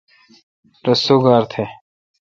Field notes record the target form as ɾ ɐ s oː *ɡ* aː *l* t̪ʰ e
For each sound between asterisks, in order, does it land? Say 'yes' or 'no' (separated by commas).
yes, no